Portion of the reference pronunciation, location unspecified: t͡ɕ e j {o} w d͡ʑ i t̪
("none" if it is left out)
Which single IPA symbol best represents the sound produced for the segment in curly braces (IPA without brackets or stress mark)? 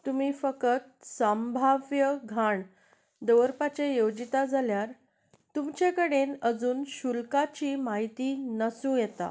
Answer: o